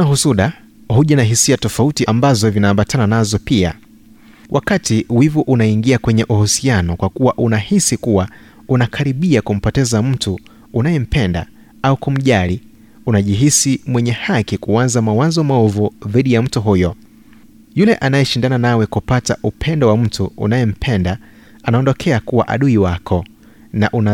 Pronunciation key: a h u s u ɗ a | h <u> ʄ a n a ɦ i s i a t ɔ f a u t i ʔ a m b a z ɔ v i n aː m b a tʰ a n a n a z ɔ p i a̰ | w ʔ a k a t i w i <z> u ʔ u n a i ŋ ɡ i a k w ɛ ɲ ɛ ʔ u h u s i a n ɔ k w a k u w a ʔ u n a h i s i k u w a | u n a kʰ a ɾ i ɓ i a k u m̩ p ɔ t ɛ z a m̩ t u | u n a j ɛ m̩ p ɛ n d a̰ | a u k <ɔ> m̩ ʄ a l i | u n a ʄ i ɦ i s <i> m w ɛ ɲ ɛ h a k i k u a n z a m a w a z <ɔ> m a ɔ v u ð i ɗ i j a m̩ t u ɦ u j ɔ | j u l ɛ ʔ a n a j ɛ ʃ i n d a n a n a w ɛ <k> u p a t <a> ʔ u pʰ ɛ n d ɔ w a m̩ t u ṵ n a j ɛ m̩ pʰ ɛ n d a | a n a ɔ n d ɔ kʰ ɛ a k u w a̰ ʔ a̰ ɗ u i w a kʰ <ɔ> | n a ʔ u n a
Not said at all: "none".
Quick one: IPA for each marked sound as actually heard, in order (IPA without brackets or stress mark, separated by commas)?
u, v, u, i, ɔ, k, a, ɔ